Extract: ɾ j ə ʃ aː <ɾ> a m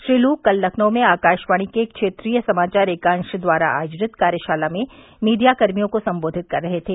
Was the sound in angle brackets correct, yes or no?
no